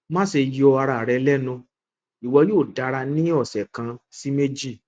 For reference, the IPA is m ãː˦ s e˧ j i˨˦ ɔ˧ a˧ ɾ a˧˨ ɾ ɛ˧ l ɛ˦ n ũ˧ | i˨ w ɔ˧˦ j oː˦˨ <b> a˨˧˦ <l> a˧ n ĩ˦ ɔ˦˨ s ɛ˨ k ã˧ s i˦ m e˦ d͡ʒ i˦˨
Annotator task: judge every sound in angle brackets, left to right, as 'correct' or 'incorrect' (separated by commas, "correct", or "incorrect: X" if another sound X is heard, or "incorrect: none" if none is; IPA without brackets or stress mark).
incorrect: d, incorrect: ɾ